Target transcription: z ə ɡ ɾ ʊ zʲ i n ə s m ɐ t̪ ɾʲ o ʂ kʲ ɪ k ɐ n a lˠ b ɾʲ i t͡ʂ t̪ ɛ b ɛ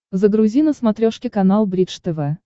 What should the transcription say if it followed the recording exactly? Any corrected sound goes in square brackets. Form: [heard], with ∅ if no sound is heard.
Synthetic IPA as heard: z ə ɡ ɾ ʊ zʲ i n ə s m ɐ t̪ ɾʲ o ʂ kʲ ɪ k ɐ n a lˠ b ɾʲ i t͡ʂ t̪ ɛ [v] ɛ